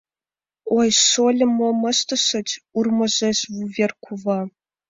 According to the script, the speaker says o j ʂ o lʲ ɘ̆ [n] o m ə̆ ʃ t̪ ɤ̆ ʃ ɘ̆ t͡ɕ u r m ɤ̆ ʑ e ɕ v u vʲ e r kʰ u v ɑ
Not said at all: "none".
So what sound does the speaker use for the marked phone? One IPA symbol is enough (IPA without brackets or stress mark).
m